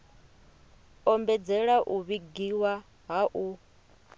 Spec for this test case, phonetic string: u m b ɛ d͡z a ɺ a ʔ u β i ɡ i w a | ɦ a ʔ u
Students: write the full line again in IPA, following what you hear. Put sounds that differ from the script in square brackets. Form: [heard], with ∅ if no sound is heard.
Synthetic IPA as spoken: [ɔ] m b ɛ d͡z [ɛ] ɺ a ʔ u β i ɡ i w a | ɦ a ʔ u